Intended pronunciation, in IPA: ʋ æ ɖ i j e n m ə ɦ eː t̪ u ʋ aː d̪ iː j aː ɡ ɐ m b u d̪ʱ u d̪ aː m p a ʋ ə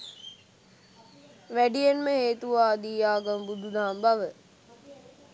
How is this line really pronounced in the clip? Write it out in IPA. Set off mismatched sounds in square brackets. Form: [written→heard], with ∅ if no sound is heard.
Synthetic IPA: ʋ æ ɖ i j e n m ə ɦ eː t̪ u ʋ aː d̪ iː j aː ɡ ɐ m b u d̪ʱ u d̪ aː m [p→b] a ʋ ə